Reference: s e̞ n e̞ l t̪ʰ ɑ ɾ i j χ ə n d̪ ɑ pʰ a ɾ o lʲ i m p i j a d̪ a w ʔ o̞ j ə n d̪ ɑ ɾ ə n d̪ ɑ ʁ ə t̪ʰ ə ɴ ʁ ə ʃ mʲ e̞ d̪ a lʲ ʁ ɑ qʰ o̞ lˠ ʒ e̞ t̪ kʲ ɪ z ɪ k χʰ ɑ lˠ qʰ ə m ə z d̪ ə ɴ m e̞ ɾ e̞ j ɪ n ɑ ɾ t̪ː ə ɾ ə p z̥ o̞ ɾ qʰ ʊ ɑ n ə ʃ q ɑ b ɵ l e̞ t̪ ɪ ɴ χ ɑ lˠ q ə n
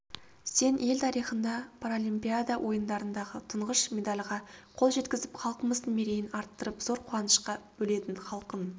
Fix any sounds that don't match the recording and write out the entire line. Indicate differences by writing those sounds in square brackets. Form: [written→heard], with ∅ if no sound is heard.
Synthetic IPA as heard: s e̞ n e̞ l t̪ʰ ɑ ɾ i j χ ə n d̪ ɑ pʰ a ɾ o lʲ i m p i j a d̪ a w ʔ o̞ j ə n d̪ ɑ ɾ ə n d̪ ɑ ʁ ə t̪ʰ ə ɴ ʁ ə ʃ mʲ e̞ d̪ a lʲ ʁ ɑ qʰ o̞ lˠ ʒ e̞ t̪ kʲ ɪ z ɪ [k→p] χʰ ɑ lˠ [qʰ→q] ə m ə z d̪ ə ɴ m e̞ ɾ e̞ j ɪ n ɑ ɾ t̪ː ə ɾ ə p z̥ o̞ ɾ qʰ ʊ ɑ n ə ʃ q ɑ b ɵ l e̞ t̪ ɪ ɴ χ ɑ lˠ q ə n